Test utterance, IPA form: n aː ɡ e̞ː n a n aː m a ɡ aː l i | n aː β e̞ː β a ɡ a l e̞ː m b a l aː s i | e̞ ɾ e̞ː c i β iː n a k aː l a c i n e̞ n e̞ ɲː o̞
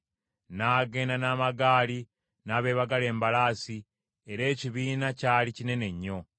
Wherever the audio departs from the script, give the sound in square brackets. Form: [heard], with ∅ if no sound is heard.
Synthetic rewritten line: n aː ɡ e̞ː n a n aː m a ɡ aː l i | n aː β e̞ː β a ɡ a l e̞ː m b a l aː s i | e̞ ɾ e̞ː c i β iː n a [c] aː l [i] c i n e̞ n e̞ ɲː o̞